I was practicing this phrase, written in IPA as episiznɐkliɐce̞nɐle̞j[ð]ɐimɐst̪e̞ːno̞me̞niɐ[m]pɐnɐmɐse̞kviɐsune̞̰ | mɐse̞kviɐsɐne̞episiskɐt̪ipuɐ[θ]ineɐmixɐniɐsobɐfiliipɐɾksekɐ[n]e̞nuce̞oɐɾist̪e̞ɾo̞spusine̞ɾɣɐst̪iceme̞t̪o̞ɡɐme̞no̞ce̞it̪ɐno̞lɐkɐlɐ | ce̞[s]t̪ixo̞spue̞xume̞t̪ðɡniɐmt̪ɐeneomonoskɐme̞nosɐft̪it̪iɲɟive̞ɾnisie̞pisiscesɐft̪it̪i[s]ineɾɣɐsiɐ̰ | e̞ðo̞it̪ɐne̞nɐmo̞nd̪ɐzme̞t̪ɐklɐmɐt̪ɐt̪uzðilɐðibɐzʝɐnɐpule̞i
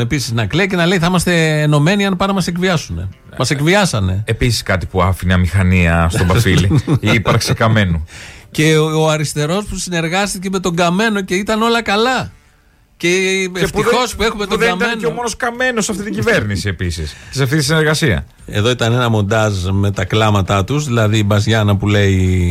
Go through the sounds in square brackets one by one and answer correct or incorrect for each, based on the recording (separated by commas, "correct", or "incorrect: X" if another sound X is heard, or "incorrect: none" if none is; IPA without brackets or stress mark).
incorrect: θ, incorrect: n, incorrect: f, incorrect: m, incorrect: f, correct